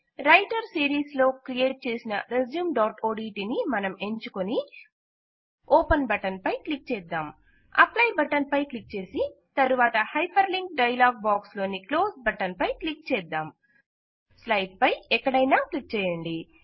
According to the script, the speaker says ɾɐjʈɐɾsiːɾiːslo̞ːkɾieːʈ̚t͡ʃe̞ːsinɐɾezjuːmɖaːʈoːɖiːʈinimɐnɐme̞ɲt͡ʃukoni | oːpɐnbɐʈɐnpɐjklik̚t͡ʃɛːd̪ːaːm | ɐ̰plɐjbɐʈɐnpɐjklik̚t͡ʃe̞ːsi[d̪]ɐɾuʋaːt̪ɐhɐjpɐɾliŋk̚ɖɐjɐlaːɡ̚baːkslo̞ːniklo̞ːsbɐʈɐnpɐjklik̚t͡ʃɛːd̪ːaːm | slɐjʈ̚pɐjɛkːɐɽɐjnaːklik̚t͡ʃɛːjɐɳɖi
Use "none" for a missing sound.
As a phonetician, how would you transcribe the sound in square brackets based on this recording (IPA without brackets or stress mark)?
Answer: t̪